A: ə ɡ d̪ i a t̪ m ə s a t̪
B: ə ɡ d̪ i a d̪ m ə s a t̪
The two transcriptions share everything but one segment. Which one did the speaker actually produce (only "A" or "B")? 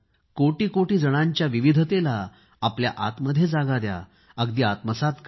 A